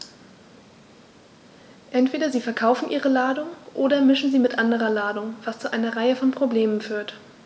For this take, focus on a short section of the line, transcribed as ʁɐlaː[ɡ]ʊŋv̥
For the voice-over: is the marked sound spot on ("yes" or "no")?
no